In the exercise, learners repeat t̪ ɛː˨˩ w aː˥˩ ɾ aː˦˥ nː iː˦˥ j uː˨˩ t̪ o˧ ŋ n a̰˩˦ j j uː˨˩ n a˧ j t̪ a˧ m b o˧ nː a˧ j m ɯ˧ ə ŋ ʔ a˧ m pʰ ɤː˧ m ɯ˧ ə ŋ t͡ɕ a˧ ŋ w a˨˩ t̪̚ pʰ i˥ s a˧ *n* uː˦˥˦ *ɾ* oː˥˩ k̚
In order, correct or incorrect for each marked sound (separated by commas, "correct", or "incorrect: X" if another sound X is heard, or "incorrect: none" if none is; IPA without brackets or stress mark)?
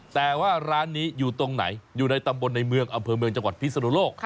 correct, incorrect: l